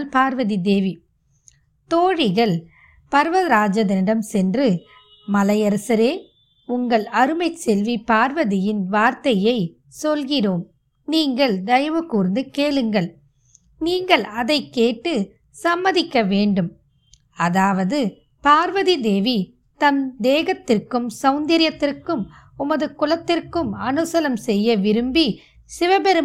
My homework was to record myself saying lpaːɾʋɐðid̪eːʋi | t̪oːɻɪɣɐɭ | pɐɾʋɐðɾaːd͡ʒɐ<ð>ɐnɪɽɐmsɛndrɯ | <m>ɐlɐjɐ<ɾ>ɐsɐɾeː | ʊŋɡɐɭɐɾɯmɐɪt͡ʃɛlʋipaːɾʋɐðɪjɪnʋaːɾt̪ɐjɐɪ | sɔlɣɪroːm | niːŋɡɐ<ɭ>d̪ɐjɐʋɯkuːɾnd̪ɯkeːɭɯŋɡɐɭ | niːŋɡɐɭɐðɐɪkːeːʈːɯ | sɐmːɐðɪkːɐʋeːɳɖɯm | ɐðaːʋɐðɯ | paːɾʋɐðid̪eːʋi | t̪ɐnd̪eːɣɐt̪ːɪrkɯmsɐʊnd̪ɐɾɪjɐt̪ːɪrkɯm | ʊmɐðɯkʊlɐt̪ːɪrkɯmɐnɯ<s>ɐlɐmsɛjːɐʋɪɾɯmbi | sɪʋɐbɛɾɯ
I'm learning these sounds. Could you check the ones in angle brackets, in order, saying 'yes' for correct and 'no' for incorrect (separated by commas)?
yes, yes, yes, yes, yes